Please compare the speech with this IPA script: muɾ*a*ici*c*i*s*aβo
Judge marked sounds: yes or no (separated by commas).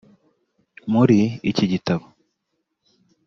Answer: no, no, no